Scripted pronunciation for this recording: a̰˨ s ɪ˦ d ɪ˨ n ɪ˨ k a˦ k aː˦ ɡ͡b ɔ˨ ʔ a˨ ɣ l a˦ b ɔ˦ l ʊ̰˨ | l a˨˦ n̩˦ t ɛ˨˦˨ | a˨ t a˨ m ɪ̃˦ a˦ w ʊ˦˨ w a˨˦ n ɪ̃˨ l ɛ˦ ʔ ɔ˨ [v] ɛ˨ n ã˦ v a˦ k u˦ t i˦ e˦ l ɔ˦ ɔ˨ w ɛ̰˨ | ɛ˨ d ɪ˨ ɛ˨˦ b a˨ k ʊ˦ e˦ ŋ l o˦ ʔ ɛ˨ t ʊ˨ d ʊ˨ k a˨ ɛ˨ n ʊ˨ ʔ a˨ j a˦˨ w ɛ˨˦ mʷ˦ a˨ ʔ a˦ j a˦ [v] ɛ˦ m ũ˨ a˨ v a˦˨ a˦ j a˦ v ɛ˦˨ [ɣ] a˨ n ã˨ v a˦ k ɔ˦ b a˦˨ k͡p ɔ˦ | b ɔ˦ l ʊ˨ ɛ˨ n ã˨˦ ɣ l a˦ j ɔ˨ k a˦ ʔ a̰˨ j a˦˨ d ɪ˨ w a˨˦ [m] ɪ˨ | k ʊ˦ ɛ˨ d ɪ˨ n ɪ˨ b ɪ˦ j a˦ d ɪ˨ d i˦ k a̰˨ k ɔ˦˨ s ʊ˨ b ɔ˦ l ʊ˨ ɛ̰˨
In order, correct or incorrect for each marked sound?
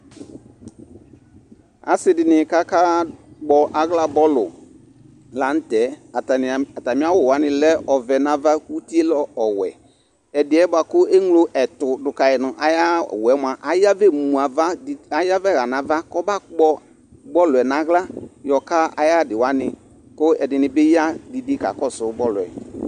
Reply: correct, correct, correct, incorrect: n

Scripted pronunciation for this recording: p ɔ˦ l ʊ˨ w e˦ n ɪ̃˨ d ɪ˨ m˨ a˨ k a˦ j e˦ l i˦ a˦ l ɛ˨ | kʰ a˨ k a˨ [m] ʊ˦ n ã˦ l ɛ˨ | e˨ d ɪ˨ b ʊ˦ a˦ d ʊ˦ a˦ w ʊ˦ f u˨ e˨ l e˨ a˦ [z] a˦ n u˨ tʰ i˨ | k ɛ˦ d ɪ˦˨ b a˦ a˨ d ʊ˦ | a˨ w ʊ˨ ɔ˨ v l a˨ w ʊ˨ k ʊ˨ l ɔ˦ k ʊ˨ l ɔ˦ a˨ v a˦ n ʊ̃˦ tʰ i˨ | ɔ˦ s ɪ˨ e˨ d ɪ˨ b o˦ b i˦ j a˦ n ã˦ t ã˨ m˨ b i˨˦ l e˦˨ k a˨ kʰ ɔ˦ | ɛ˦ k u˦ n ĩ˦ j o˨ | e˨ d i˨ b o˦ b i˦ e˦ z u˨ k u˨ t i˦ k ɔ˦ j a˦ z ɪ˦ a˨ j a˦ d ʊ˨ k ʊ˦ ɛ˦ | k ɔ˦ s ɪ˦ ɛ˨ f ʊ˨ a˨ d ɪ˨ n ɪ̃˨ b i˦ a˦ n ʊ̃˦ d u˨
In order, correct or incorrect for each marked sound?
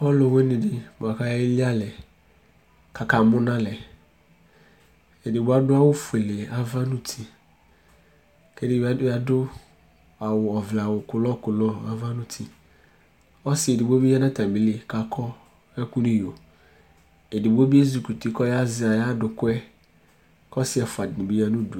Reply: correct, incorrect: v

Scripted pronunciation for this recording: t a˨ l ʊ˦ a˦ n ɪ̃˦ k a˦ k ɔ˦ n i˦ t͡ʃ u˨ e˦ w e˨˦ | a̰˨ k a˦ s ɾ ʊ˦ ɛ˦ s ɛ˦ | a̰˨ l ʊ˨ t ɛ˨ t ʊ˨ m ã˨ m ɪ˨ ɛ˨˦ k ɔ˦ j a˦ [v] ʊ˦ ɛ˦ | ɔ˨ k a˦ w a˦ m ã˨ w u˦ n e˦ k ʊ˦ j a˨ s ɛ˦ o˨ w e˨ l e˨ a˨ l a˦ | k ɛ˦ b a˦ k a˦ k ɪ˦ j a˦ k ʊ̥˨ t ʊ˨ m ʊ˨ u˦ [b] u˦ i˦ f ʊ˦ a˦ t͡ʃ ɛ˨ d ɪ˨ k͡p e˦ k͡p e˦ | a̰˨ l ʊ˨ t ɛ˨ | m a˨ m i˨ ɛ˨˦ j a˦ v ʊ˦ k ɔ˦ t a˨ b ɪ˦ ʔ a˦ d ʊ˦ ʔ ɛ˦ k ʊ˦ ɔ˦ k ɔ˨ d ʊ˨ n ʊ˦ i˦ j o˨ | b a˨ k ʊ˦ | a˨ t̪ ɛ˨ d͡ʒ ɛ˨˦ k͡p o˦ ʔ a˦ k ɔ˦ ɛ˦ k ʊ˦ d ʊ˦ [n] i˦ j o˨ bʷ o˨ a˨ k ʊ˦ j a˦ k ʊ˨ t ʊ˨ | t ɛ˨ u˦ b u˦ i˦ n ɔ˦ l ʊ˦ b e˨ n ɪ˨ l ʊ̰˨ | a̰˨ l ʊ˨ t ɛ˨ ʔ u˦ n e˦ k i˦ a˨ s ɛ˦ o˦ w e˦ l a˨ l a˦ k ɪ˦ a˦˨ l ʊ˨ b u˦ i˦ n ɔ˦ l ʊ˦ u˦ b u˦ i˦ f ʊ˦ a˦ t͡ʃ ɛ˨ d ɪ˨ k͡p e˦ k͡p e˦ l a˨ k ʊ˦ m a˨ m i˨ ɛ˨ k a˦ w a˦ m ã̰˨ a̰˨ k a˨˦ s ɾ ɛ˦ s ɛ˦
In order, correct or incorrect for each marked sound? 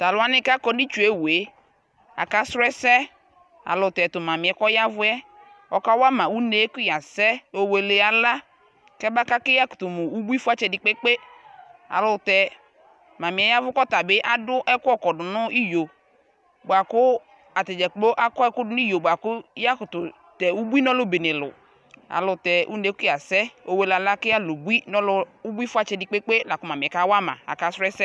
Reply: correct, correct, correct

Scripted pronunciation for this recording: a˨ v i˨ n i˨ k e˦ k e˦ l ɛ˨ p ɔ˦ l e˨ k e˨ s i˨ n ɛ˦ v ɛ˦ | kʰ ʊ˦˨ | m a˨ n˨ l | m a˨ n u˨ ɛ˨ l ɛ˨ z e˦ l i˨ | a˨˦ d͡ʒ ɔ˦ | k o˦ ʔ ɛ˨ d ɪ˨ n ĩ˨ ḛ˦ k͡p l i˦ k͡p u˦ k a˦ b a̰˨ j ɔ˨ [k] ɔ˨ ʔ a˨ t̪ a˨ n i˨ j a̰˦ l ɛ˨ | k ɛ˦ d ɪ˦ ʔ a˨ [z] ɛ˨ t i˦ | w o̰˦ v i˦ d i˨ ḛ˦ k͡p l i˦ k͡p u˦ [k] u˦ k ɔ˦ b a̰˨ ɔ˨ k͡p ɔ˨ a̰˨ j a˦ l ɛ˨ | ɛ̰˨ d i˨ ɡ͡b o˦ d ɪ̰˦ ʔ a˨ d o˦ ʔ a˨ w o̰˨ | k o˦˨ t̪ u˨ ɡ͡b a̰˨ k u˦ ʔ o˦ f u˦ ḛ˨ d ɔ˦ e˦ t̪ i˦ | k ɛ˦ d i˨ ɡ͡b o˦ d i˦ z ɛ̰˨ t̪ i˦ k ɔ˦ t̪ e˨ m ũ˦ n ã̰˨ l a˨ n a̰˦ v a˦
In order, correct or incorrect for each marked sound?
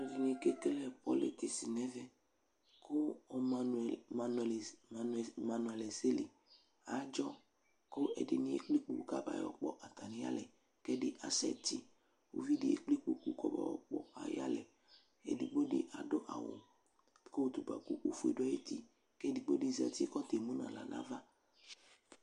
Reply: incorrect: k͡p, incorrect: s, correct

